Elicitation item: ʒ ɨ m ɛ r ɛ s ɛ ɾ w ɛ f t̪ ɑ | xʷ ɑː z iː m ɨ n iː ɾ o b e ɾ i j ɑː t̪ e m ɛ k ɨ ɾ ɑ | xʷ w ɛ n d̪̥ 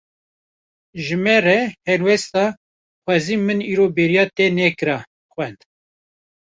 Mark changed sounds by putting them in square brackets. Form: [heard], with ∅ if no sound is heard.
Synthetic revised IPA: ʒ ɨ m ɛ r ɛ [h] ɛ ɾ w ɛ [s] t̪ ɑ | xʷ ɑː z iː m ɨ n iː ɾ o b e ɾ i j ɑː t̪ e [n] ɛ k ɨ ɾ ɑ | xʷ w ɛ n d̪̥